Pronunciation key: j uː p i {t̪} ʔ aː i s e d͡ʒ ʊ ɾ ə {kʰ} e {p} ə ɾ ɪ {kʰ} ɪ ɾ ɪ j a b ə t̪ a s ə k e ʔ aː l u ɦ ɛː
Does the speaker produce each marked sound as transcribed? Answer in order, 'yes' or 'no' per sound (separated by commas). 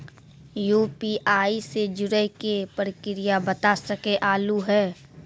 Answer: no, no, yes, no